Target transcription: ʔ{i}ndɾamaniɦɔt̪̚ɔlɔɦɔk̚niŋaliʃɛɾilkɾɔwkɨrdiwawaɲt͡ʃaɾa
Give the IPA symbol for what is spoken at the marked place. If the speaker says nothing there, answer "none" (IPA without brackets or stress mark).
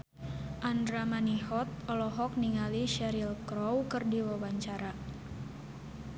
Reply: a